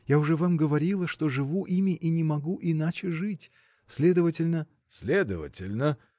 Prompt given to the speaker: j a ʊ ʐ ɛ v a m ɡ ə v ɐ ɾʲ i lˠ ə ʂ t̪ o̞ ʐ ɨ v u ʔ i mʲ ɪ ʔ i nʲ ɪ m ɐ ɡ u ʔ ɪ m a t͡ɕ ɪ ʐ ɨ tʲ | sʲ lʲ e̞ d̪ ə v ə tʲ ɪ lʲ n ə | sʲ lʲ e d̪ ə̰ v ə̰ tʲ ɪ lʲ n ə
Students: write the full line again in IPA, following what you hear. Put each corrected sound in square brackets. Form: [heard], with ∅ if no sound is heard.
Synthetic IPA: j a ʊ ʐ ɛ v a m ɡ ə v ɐ ɾʲ i lˠ ə ʂ t̪ o̞ ʐ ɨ v u ʔ i mʲ ɪ ʔ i nʲ ɪ m ɐ ɡ u ʔ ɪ [n] a t͡ɕ ɪ ʐ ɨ tʲ | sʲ lʲ e̞ d̪ ə v ə tʲ ɪ lʲ n ə | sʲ lʲ e d̪ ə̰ v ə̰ tʲ ɪ lʲ n ə